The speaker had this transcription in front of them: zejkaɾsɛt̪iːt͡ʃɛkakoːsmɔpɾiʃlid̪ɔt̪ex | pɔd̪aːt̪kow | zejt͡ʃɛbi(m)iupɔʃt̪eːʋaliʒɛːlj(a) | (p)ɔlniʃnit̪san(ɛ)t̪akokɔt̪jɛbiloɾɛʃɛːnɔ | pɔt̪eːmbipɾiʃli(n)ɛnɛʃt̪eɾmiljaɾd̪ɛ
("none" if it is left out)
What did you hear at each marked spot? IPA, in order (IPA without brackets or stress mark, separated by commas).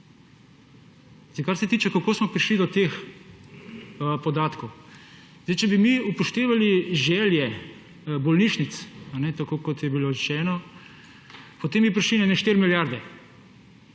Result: m, ɛ, b, ɛ, n